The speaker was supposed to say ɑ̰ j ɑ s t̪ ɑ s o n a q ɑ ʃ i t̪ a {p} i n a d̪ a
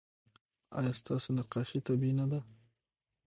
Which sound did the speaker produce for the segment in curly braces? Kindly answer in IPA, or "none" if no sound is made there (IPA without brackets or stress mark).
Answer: b